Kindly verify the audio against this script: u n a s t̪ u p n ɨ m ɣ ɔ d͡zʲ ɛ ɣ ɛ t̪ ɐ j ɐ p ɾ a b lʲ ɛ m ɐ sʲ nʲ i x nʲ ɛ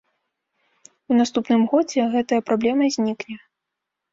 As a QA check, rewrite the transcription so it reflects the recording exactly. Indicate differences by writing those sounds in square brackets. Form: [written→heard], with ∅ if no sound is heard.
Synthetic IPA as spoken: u n a s t̪ u p n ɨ m ɣ ɔ d͡zʲ ɛ ɣ ɛ t̪ ɐ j ɐ p ɾ a b lʲ ɛ m ɐ [sʲ→zʲ] nʲ i [x→k] nʲ ɛ